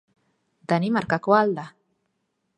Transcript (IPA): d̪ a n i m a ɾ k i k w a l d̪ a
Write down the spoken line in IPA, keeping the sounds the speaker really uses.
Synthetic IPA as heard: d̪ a n i m a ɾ k a k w a l d̪ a